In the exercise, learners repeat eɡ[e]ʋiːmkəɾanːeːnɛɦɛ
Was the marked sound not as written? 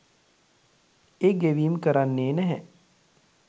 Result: no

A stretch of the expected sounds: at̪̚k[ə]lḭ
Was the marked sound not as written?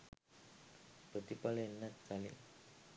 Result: yes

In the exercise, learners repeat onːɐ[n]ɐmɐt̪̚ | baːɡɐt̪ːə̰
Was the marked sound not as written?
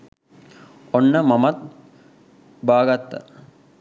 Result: yes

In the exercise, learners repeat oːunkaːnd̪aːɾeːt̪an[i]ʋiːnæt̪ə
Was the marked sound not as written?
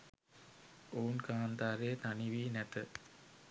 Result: no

